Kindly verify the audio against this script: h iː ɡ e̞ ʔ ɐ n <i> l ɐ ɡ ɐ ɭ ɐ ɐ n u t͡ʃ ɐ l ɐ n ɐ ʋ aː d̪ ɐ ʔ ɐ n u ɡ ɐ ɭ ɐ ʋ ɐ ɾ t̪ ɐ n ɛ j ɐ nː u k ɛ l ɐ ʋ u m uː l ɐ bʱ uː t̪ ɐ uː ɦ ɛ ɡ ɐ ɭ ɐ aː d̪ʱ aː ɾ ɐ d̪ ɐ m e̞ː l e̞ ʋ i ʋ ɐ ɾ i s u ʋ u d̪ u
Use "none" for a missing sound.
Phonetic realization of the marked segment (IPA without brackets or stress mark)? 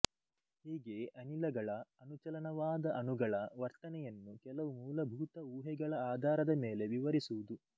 i